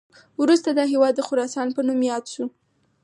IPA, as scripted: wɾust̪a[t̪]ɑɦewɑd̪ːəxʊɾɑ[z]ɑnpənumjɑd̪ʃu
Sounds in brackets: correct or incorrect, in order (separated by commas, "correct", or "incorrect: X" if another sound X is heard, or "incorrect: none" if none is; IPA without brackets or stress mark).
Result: incorrect: d̪, incorrect: s